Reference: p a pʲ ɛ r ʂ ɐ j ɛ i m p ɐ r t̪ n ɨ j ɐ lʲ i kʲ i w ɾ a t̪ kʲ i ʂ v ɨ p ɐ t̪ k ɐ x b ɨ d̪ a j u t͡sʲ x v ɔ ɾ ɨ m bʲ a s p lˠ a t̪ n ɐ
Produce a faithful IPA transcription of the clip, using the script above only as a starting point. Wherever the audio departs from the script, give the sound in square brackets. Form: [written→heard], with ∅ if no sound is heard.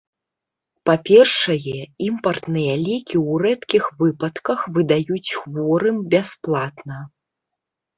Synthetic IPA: p a pʲ ɛ r ʂ ɐ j ɛ i m p ɐ r t̪ n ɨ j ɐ lʲ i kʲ i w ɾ [a→ɛ] t̪ kʲ i [ʂ→x] v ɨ p ɐ t̪ k ɐ x [b→v] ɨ d̪ a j u t͡sʲ x v ɔ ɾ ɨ m bʲ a s p lˠ a t̪ n ɐ